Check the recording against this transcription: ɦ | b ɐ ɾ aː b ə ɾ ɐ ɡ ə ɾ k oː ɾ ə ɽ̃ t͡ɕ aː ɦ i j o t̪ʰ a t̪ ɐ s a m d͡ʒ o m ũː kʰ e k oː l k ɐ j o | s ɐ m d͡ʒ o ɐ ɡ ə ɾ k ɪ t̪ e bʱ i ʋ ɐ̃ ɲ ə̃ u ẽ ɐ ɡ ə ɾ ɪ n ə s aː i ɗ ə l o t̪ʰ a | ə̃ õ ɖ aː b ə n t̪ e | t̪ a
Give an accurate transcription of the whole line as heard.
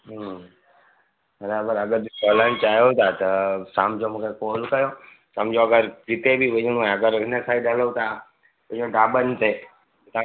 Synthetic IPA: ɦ | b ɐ ɾ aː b ə ɾ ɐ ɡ ə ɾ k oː l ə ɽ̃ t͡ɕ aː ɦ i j o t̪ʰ a t̪ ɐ s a m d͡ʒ o m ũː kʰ e k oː l k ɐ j o | s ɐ m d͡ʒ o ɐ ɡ ə ɾ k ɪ t̪ e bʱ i ʋ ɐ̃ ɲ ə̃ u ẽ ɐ ɡ ə ɾ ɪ n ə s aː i ɗ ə l o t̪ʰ a | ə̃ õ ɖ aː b ə n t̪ e | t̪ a